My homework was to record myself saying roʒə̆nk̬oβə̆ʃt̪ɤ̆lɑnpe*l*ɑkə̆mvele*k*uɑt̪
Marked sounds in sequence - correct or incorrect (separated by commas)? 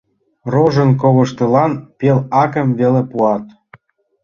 correct, incorrect